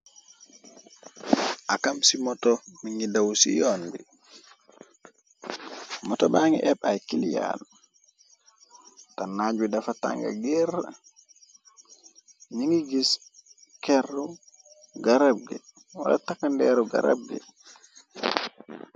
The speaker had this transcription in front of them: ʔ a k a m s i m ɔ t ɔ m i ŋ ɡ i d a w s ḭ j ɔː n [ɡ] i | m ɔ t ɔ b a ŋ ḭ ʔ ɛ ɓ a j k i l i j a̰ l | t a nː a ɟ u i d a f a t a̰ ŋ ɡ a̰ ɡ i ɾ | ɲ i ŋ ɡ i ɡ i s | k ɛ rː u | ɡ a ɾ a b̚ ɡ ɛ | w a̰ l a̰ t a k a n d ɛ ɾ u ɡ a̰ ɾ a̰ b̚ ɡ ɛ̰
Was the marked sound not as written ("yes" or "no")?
yes